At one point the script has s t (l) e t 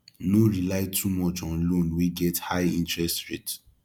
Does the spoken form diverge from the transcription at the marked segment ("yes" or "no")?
yes